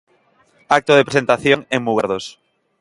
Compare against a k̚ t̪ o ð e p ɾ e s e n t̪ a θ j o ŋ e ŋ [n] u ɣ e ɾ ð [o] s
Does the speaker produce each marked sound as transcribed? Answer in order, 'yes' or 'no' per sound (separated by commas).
no, yes